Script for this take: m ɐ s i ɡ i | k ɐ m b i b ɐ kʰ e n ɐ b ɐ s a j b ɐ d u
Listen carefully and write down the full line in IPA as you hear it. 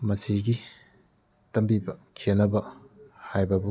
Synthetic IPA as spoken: m ɐ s i ɡ i | t ɐ m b i b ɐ kʰ e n ɐ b ɐ h a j b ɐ b u